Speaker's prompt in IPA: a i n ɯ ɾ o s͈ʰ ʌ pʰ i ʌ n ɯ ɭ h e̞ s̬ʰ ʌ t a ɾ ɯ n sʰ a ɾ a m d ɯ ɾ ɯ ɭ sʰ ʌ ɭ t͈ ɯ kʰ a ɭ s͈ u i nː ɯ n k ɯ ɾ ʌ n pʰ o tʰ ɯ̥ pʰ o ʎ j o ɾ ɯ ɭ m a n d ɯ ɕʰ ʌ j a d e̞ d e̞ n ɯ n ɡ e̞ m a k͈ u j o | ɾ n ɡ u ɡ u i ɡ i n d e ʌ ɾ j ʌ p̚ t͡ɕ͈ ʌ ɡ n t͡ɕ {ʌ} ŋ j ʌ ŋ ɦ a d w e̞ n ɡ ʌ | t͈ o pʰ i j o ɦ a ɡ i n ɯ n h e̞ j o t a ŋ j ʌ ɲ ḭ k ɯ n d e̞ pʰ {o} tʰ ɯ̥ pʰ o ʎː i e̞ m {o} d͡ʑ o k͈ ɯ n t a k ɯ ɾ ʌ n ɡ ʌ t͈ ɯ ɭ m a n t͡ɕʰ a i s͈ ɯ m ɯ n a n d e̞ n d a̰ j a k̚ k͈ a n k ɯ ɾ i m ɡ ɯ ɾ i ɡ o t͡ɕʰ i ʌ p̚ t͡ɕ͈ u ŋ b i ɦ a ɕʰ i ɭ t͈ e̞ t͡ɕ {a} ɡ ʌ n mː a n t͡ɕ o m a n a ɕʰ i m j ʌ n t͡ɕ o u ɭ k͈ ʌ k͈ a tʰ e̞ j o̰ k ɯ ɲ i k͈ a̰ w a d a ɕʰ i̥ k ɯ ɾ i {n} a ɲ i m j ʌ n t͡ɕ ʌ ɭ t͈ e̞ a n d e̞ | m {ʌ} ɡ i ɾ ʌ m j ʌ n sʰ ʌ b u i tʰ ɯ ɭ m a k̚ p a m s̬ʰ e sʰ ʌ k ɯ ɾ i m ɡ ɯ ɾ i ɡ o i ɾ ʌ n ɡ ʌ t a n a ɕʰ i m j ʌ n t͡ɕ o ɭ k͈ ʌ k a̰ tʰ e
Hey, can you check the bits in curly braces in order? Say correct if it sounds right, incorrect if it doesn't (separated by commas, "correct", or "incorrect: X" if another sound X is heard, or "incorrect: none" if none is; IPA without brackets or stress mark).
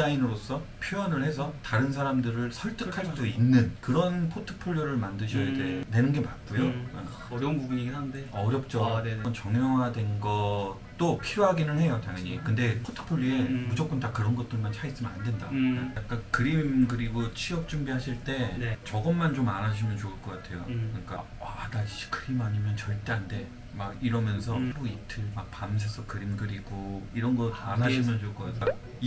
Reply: correct, correct, incorrect: u, incorrect: ʌ, incorrect: m, incorrect: a